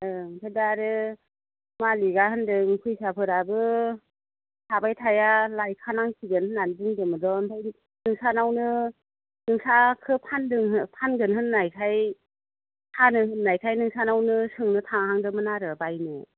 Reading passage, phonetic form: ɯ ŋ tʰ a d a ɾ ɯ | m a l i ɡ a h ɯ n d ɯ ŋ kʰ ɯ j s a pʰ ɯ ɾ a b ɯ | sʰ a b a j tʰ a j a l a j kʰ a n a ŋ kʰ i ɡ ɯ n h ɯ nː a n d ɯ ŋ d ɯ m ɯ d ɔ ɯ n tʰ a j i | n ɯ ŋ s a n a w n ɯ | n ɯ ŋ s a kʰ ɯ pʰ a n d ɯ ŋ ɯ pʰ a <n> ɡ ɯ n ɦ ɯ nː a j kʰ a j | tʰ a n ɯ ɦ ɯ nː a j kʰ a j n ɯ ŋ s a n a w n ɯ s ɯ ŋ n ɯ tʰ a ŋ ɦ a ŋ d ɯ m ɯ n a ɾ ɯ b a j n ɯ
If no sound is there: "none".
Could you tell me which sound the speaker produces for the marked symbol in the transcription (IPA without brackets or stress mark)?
n